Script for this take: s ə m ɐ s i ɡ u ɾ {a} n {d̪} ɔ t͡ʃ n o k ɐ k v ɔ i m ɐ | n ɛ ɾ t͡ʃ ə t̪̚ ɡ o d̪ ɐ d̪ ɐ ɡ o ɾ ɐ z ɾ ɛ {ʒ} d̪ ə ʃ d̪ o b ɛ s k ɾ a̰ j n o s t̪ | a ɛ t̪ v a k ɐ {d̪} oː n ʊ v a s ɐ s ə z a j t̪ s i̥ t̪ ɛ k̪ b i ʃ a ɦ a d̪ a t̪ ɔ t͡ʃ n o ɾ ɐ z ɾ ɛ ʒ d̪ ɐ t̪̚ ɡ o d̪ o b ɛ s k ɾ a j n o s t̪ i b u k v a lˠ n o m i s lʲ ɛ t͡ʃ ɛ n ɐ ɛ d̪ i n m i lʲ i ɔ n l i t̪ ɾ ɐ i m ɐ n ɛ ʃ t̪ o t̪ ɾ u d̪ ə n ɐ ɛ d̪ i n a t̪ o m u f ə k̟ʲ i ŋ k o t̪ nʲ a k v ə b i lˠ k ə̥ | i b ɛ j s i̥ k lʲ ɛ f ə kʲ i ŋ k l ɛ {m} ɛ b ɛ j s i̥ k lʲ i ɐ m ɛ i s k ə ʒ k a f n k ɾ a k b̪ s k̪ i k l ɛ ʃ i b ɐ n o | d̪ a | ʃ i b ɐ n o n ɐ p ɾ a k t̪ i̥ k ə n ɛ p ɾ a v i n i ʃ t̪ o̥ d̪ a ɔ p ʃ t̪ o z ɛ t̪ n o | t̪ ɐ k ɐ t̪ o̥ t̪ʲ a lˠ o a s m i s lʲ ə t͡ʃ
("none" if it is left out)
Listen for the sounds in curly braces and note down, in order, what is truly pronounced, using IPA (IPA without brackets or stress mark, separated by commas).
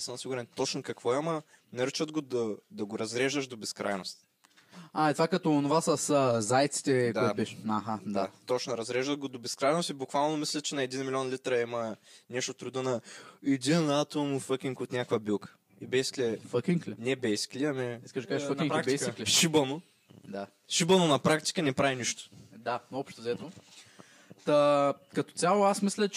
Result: ɛ, t̪, ʒ, t̪, n